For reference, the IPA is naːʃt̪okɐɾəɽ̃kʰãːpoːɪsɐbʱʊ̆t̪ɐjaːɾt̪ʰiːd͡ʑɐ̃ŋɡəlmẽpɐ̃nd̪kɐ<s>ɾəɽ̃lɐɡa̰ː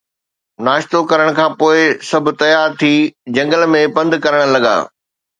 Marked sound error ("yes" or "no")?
yes